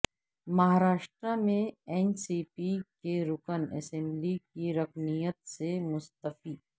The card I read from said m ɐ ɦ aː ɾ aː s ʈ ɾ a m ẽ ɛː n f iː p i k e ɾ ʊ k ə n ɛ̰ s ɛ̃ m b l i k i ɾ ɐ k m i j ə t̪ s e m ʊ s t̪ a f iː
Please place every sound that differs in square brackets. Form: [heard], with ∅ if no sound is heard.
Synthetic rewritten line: m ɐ ɦ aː ɾ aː [ʃ] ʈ ɾ a m ẽ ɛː n [s] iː p i k e ɾ ʊ k ə n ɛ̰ s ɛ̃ m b l i k i ɾ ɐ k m i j ə t̪ s e m ʊ s t̪ [ə] f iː